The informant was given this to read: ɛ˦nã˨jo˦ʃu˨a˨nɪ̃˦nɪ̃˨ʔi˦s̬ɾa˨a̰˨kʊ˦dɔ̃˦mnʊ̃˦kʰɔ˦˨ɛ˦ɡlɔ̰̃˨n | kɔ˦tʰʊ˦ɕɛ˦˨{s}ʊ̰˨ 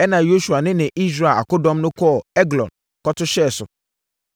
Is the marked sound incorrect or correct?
correct